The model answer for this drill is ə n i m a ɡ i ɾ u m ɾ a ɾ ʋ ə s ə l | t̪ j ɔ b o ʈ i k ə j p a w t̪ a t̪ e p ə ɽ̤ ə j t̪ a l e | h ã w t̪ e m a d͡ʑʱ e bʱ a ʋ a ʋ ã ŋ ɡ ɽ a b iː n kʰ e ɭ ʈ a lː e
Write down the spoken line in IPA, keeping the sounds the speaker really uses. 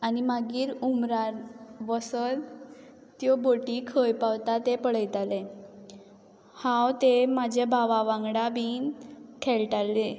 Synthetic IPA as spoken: a n i m a ɡ iː ɾ u m ɾ a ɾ ʋ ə s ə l | t̪ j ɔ b o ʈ i kʰ ə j p a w t̪ a t̪ e p ə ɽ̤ ə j t̪ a l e | h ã w t̪ e m a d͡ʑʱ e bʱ a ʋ a ʋ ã ŋ ɡ ɽ a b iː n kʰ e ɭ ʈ a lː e